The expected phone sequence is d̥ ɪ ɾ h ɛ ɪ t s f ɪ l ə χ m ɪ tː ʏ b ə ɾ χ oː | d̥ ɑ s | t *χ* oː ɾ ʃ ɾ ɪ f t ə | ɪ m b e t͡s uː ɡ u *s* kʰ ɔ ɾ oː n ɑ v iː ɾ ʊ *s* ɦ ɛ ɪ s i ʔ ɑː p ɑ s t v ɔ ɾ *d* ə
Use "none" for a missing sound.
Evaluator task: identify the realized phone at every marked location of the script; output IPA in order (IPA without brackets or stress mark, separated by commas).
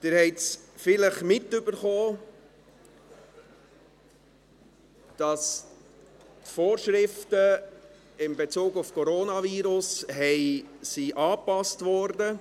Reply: f, f, s, d